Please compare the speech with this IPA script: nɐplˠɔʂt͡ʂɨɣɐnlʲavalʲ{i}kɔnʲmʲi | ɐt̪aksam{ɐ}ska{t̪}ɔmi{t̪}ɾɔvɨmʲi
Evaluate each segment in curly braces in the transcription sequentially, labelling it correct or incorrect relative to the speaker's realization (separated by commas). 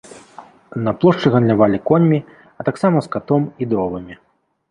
correct, correct, correct, incorrect